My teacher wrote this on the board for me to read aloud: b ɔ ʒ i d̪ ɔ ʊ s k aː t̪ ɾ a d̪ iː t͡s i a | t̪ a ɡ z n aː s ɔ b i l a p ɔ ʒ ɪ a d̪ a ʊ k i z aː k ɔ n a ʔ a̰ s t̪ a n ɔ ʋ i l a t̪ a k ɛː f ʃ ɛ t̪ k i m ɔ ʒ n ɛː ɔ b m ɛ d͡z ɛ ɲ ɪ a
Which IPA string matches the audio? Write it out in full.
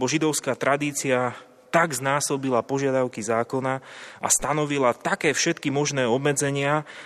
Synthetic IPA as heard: b ɔ ʒ i d̪ ɔ ʊ s k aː t̪ ɾ a d̪ iː t͡s i a | t̪ a ɡ z n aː s ɔ b i l a p ɔ ʒ ɪ a d̪ a ʊ k i z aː k ɔ n a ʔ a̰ s t̪ a n ɔ ʋ i l a t̪ a k ɛː f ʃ ɛ t̪ k i m ɔ ʒ n ɛː ɔ b m ɛ d͡z ɛ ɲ ɪ a